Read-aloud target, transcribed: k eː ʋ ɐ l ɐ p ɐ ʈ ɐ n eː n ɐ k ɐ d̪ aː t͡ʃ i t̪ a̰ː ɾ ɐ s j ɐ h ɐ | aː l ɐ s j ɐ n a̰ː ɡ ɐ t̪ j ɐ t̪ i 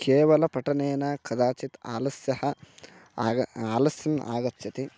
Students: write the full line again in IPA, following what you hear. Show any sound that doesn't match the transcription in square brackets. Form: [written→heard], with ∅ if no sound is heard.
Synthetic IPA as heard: k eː ʋ ɐ l ɐ p ɐ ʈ ɐ n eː n ɐ k ɐ d̪ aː t͡ʃ i t̪ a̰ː [ɾ→l] ɐ s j ɐ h ɐ | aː l ɐ s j ɐ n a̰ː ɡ ɐ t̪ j ɐ t̪ i